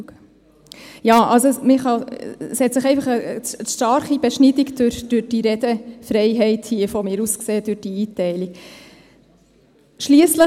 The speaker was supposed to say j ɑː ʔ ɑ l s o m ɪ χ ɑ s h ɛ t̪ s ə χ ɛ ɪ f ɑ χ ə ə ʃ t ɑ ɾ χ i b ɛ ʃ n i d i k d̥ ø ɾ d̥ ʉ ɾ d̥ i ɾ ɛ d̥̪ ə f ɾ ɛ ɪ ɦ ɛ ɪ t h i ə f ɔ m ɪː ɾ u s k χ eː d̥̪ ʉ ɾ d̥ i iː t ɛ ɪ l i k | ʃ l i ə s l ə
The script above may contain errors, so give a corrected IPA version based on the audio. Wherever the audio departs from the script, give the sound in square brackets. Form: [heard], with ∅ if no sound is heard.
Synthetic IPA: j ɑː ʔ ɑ l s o m ɪ χ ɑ s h ɛ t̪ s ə χ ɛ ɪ f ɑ χ ə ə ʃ t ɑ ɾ χ i b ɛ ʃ n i d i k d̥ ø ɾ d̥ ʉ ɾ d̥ i ɾ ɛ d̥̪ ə f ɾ ɛ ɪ ɦ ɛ ɪ t h i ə f ɔ m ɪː ɾ u s k [s] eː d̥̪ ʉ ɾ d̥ i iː t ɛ ɪ l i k | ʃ l i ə s l ə